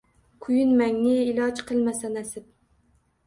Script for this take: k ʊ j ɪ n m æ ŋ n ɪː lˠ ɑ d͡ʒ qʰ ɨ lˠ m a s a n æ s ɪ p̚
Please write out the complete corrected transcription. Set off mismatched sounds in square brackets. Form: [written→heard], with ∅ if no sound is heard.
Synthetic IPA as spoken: [k→kʰ] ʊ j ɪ n m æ ŋ n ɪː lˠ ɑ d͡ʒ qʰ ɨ lˠ m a s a n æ s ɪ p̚